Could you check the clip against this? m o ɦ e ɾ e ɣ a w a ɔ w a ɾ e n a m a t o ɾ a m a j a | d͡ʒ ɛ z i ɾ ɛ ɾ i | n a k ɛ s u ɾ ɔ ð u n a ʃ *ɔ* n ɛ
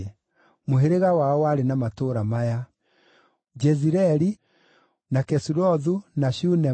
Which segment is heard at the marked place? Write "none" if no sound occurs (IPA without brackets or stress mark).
u